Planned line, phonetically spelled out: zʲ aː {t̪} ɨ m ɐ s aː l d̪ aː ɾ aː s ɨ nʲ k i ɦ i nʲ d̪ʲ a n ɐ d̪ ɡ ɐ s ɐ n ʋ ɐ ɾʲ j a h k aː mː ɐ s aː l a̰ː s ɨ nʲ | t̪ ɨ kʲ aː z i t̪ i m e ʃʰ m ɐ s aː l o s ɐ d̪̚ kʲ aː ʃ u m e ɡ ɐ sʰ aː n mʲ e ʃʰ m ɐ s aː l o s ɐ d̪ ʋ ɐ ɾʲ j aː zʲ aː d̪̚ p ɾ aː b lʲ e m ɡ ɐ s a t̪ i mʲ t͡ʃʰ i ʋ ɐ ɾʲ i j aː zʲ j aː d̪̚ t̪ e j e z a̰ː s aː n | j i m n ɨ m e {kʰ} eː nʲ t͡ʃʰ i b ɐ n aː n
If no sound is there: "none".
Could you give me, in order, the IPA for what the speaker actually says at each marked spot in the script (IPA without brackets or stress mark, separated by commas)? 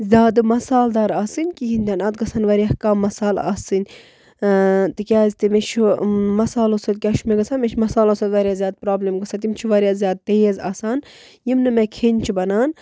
d̪, kʰ